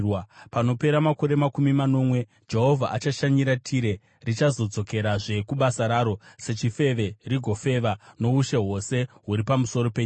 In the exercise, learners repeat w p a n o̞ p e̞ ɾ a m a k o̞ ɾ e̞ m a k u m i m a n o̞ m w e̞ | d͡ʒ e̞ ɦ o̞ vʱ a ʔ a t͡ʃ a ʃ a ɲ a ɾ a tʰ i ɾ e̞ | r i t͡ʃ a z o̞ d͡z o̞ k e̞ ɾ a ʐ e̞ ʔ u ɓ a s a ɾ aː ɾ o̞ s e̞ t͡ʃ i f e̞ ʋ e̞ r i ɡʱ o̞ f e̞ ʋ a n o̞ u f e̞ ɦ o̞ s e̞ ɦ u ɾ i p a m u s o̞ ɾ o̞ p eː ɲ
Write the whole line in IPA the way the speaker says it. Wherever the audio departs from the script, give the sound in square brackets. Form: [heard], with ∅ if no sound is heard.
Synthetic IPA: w p a n o̞ p e̞ ɾ a m a k o̞ ɾ e̞ m a k u m i m a n o̞ m w e̞ | d͡ʒ e̞ ɦ o̞ vʱ a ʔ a t͡ʃ a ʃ a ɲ [i] ɾ a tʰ i ɾ e̞ | r i t͡ʃ a z o̞ d͡z o̞ k e̞ ɾ a ʐ e̞ [k] u ɓ a s a ɾ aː ɾ o̞ s e̞ t͡ʃ i f e̞ ʋ e̞ r i ɡʱ o̞ f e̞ ʋ a n o̞ u [ʃ] e̞ ɦ o̞ s e̞ ɦ u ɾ i p a m u s o̞ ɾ o̞ p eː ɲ